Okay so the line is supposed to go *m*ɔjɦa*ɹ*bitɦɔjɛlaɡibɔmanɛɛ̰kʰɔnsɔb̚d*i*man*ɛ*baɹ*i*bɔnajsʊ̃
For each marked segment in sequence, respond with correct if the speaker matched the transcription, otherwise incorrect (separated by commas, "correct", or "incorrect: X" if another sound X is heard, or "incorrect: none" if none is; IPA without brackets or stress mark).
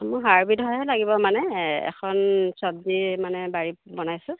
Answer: correct, correct, correct, correct, correct